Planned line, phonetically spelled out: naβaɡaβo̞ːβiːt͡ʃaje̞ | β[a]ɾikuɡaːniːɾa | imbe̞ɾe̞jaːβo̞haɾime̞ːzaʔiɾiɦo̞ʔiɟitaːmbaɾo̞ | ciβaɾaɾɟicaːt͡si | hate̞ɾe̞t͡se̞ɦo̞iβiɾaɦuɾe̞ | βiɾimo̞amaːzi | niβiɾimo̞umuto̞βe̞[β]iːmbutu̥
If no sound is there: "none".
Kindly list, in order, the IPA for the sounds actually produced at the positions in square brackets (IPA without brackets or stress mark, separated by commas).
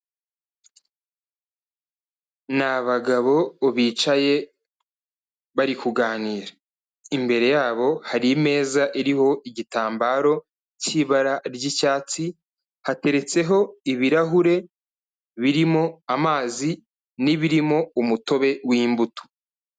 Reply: a, w